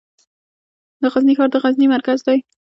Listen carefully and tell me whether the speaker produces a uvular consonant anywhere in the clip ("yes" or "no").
no